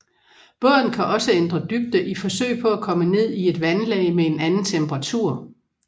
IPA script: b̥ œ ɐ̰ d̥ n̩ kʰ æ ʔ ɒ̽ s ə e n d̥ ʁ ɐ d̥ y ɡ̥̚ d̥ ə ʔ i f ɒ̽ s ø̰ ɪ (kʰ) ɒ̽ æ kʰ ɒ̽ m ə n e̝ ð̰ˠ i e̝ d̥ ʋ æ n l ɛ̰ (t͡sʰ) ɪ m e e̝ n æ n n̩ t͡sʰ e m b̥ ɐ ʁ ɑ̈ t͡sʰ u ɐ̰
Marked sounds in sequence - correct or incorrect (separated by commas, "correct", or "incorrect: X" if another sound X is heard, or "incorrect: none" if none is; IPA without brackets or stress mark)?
incorrect: pʰ, incorrect: none